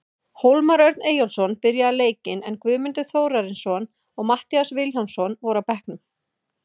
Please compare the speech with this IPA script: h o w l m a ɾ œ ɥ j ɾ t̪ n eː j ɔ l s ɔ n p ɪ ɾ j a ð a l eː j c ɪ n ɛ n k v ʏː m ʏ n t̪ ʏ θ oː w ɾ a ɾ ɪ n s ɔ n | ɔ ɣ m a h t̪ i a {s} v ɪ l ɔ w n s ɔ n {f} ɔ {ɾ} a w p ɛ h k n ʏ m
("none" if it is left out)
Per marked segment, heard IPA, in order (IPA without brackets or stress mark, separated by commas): s, v, ɾ